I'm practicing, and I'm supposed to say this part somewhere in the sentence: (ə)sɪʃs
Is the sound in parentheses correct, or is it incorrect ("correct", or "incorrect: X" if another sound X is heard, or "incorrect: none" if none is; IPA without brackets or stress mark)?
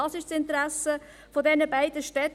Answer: incorrect: ɑ